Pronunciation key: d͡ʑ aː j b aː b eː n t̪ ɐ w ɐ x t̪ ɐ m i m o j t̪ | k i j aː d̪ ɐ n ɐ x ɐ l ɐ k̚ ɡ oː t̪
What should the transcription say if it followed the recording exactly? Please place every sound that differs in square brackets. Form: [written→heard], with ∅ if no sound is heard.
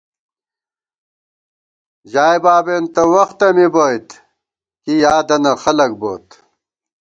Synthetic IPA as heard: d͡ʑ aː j b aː b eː n t̪ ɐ w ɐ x t̪ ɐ m i [m→b] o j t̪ | k i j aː d̪ ɐ n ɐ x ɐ l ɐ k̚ [ɡ→b] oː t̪